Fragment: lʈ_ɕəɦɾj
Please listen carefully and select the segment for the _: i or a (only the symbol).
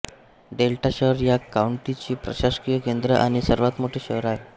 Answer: a